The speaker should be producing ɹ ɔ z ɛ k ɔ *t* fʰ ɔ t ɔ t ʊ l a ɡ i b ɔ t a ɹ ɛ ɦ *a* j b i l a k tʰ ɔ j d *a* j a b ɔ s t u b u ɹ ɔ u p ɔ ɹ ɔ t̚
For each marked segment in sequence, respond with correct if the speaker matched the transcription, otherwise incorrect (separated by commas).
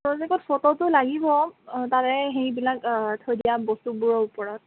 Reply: correct, incorrect, incorrect